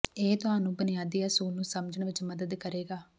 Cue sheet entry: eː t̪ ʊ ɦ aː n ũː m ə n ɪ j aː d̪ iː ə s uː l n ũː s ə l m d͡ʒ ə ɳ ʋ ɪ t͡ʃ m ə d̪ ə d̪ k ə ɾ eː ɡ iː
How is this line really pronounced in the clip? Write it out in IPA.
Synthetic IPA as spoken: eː t̪ ʊ ɦ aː n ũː b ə n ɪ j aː d̪ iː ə s uː l n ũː s ə m d͡ʒ ə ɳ ʋ ɪ t͡ʃ m ə d̪ ə d̪ k ə ɾ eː ɡ aː